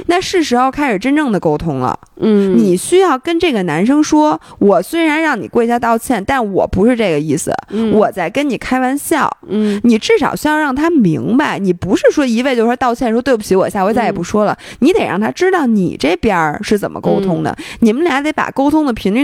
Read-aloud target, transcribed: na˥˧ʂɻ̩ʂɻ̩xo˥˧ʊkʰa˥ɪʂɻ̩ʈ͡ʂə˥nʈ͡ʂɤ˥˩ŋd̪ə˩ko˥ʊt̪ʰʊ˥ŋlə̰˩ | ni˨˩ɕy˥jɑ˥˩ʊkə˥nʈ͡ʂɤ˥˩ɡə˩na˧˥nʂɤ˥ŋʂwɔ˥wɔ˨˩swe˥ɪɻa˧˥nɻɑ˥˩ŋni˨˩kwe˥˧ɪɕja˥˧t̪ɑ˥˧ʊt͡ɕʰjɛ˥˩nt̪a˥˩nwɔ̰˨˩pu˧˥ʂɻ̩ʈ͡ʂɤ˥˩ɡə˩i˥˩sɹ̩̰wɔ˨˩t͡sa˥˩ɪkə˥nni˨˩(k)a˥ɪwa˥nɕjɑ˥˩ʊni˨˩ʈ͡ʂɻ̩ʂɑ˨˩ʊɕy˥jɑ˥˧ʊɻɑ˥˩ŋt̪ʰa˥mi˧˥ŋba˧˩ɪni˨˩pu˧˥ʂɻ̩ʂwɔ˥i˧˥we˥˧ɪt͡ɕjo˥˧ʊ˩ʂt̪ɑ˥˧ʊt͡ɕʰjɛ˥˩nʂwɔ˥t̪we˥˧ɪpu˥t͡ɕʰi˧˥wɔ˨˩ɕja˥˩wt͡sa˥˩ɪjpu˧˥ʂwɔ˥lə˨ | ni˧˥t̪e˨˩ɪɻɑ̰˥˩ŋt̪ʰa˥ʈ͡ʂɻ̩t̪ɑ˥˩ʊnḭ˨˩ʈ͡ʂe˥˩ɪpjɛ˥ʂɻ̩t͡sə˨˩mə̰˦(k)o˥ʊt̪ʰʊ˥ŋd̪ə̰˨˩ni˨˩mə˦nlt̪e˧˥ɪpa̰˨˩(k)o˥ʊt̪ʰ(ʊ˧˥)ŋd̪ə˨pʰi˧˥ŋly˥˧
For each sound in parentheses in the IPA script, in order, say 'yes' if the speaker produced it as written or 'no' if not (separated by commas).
no, yes, yes, no